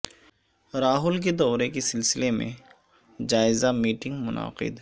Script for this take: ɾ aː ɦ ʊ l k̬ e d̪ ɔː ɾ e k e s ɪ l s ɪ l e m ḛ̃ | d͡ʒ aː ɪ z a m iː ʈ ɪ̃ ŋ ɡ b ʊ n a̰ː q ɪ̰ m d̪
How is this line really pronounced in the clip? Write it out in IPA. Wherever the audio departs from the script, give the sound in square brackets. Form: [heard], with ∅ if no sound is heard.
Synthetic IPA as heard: ɾ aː ɦ ʊ l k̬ e d̪ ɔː ɾ e k e s ɪ l s ɪ l e m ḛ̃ | d͡ʒ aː ɪ z a m iː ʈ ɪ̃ ŋ ɡ [m] ʊ n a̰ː q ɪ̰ [∅] d̪